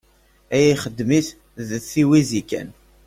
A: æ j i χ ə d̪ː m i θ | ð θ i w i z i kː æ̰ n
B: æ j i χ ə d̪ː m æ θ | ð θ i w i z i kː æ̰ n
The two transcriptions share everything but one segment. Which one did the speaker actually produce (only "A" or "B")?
A